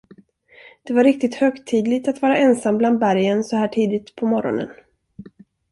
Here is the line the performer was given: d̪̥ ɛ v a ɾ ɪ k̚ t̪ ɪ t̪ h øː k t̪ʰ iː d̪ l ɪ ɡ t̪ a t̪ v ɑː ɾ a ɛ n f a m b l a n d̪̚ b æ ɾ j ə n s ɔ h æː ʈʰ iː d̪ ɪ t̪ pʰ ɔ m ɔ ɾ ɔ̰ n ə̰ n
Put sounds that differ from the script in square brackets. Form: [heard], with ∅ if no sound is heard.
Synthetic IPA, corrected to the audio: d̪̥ ɛ v a ɾ ɪ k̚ t̪ ɪ t̪ h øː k t̪ʰ iː d̪ l ɪ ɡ t̪ a t̪ v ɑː ɾ a ɛ n [s] a m b l a n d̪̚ b æ ɾ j ə n s ɔ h æː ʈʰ iː d̪ ɪ t̪ pʰ ɔ m ɔ ɾ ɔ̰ n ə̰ n